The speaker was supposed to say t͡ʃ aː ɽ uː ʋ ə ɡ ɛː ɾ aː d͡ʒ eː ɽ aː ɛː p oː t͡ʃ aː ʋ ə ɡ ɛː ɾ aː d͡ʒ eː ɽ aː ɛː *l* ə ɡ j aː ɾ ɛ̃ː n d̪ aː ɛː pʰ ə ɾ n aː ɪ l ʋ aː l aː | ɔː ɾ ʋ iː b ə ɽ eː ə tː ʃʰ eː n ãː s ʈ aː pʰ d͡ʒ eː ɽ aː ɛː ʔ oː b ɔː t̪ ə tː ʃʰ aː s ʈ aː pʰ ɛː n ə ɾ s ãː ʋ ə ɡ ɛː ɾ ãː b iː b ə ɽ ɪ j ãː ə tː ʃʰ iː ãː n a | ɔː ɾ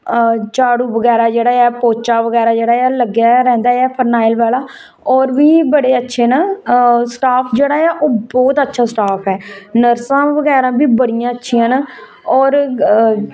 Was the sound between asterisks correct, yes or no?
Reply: yes